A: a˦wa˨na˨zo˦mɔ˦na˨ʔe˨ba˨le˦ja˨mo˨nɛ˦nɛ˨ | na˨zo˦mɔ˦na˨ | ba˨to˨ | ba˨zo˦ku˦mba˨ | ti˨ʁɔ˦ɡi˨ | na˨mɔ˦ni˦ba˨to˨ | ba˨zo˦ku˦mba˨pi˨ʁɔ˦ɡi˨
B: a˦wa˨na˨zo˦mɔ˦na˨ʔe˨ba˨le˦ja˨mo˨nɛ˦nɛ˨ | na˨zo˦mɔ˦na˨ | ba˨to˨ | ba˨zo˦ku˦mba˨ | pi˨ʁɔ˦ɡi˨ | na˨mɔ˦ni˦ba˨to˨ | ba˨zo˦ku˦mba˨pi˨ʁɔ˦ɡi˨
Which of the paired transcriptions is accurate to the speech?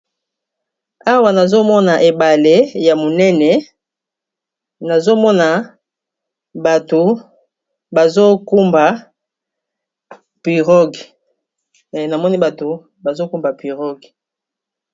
B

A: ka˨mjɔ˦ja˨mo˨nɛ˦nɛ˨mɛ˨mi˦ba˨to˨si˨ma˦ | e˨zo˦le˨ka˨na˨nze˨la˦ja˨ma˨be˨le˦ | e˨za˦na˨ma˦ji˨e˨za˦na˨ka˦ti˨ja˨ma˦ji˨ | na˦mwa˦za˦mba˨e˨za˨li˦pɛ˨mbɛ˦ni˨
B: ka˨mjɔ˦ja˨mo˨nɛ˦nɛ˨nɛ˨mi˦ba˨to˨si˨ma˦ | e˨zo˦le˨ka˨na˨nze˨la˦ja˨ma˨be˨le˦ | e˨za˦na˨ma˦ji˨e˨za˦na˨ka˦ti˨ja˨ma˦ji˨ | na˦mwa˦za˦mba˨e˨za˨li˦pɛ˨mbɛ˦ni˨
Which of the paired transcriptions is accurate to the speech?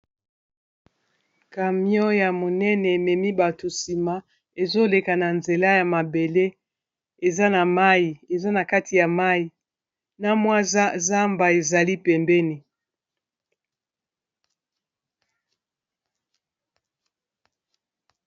A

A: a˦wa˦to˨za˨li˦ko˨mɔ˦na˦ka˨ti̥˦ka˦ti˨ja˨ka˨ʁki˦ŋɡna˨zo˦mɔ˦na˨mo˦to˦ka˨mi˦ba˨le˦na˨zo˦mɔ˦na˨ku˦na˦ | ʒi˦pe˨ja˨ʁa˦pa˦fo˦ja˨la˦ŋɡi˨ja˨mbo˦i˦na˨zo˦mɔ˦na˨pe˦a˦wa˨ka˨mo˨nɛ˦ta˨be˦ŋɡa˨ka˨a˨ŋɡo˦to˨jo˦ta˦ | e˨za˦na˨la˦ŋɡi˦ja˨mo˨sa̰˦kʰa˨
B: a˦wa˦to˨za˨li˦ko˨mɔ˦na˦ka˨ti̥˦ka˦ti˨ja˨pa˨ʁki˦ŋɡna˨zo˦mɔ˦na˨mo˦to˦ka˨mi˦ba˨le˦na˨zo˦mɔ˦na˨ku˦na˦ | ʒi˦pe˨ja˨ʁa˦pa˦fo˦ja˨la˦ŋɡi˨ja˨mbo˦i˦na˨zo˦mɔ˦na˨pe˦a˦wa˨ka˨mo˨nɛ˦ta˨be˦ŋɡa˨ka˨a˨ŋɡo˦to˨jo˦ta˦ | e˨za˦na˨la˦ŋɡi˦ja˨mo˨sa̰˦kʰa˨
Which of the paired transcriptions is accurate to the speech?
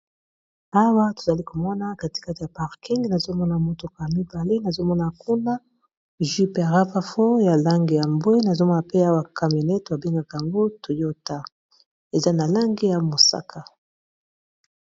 B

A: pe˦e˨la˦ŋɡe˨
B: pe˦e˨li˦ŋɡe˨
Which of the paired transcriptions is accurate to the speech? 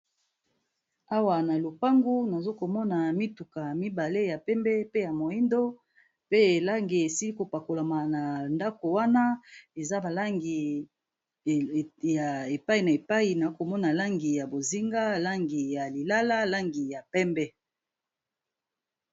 A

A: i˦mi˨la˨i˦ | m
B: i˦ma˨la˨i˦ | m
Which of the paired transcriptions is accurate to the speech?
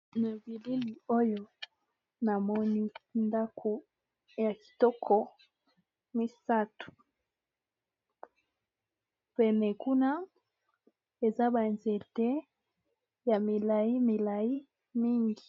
A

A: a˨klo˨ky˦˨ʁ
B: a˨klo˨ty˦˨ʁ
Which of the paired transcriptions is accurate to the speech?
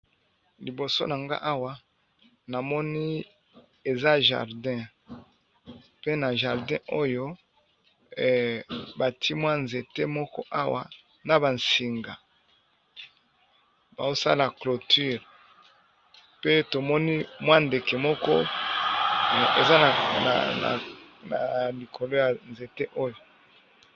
B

